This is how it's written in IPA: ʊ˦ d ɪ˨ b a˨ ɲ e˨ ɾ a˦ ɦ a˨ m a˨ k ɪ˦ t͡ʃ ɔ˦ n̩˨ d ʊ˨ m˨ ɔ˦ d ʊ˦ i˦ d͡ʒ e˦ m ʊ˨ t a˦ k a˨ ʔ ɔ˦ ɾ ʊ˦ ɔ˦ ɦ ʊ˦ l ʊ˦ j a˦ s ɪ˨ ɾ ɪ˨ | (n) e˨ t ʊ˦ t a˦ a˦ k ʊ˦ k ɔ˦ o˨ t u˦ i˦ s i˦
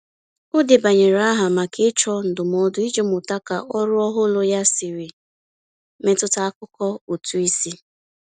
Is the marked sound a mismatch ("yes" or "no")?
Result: yes